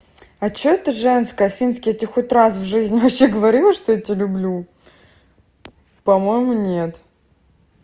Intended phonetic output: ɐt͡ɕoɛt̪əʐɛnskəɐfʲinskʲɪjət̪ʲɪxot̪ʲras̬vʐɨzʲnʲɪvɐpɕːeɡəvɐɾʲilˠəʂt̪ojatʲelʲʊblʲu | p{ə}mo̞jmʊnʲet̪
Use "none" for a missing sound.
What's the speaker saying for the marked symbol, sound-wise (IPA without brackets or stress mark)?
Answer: ɐ